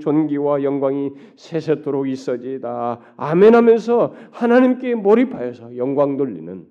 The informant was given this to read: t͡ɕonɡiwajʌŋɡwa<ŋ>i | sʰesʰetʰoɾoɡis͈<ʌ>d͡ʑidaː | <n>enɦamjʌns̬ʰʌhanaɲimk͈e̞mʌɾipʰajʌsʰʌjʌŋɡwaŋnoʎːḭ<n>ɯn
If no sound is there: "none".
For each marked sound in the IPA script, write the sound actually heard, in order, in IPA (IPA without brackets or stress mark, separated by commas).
ŋ, ʌ, m, n